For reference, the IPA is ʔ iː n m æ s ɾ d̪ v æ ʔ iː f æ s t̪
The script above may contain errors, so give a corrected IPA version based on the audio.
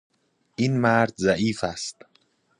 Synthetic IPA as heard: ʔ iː n m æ ɾ d̪ z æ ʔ iː f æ s t̪

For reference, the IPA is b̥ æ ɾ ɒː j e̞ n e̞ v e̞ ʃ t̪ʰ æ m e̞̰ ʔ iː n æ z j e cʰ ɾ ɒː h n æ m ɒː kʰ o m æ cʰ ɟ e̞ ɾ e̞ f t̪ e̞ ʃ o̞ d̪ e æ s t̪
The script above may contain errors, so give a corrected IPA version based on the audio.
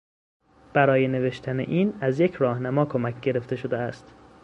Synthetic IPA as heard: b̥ æ ɾ ɒː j e̞ n e̞ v e̞ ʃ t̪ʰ æ n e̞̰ ʔ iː n æ z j e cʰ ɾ ɒː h n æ m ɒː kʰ o m æ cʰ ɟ e̞ ɾ e̞ f t̪ e̞ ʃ o̞ d̪ e æ s t̪

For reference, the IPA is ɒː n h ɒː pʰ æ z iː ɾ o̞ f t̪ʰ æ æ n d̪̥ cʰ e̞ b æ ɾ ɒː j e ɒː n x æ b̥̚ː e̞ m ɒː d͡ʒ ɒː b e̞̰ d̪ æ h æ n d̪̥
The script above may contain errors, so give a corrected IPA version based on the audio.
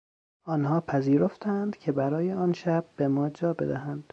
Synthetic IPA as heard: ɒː n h ɒː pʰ æ z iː ɾ o̞ f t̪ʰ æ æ n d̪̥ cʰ e̞ b æ ɾ ɒː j e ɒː n ʃ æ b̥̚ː e̞ m ɒː d͡ʒ ɒː b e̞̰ d̪ æ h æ n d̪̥

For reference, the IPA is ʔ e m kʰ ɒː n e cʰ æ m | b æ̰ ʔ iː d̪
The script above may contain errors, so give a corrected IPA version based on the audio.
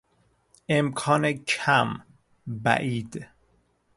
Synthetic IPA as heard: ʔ e m kʰ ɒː n e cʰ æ m | b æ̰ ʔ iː d̪

